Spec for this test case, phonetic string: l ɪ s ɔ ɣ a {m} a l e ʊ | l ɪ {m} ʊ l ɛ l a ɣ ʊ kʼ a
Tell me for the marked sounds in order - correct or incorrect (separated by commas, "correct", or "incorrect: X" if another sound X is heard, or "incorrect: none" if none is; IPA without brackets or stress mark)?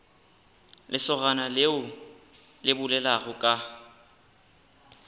incorrect: n, incorrect: b